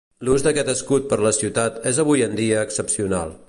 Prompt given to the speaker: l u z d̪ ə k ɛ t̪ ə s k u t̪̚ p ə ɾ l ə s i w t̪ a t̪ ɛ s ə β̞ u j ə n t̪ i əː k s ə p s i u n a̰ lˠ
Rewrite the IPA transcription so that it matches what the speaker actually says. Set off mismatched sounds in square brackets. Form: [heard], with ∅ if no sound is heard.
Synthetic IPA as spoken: l u z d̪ ə k ɛ t̪ ə s k u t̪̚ p ə ɾ l ə s i w t̪ a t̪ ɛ [z] ə β̞ u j ə n [d̪] i əː k s ə p s i u n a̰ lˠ